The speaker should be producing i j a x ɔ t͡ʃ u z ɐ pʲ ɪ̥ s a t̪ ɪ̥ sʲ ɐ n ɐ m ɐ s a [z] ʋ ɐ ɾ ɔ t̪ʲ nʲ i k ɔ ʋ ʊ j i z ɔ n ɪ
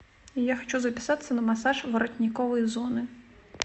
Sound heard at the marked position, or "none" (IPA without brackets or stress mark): ʒ